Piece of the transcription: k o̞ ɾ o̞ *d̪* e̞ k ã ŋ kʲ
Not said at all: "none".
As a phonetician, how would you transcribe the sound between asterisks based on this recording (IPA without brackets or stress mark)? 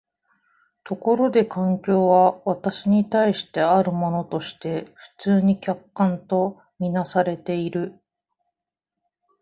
d̪